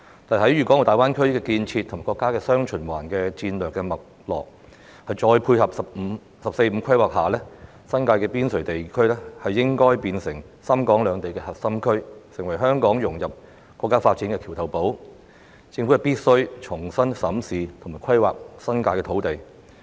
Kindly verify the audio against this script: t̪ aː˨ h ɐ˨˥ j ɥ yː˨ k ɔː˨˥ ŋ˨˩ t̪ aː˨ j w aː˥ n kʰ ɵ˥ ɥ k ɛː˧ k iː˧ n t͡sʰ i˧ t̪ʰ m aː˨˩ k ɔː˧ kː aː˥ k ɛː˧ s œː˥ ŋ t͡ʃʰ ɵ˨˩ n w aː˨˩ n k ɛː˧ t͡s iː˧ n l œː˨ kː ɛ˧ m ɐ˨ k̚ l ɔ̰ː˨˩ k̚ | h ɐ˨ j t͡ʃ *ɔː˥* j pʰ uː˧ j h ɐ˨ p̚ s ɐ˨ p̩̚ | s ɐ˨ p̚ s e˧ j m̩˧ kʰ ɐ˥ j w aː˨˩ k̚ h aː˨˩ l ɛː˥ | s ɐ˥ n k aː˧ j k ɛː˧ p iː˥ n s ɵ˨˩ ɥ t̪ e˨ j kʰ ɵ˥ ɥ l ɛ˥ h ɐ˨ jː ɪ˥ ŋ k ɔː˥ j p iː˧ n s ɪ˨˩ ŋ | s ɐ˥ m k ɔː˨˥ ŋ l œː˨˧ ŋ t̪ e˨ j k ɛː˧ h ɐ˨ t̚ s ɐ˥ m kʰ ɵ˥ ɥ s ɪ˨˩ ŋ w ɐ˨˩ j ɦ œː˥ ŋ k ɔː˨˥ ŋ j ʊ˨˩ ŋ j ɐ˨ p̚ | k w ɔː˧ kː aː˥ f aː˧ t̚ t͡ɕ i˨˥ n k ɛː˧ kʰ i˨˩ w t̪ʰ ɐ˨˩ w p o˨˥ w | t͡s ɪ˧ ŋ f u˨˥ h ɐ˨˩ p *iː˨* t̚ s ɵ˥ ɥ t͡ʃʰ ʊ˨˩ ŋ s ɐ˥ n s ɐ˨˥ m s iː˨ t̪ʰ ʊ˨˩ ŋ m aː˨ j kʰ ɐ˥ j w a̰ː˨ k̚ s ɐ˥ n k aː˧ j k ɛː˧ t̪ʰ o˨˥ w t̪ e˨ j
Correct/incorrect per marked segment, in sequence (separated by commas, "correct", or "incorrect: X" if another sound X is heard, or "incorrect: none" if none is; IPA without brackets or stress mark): incorrect: ɔː˧, incorrect: iː˥